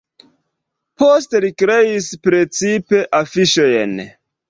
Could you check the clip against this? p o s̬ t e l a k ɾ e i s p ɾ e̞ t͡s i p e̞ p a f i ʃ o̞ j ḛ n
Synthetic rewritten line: p o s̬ t e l i k ɾ e i s p ɾ e̞ t͡s i p e̞ ʔ a f i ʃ o̞ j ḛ n